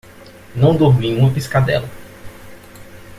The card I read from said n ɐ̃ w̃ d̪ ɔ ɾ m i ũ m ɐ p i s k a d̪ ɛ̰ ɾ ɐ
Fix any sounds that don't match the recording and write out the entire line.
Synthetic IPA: n ɐ̃ w̃ d̪ o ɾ m i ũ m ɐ p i s k a d̪ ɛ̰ l ɐ